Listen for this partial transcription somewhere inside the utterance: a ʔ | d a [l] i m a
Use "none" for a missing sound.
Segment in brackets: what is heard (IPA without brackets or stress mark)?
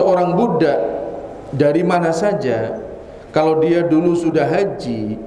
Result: ɾ